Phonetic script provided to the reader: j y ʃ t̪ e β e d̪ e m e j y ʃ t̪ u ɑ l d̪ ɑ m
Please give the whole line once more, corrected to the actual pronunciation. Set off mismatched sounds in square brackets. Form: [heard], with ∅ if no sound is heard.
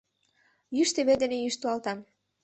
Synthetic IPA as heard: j y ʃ t̪ e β e d̪ e [n] e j y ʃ t̪ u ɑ l [t̪] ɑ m